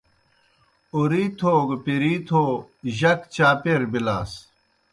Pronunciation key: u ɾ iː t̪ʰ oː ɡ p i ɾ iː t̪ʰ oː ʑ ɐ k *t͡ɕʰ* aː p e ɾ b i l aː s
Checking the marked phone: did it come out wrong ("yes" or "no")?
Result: yes